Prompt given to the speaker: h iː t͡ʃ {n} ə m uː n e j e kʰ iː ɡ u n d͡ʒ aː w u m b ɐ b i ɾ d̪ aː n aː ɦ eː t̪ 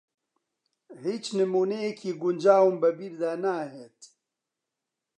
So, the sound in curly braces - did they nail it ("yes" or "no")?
yes